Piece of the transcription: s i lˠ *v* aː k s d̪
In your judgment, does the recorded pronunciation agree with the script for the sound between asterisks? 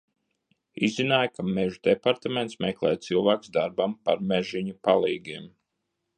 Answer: yes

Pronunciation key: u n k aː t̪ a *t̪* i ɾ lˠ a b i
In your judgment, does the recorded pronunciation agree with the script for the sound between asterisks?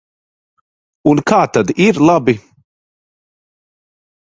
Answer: no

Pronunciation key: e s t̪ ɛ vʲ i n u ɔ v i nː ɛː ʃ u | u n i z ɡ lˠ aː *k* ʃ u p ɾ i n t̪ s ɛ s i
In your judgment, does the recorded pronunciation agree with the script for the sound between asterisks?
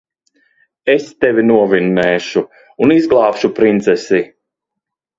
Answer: no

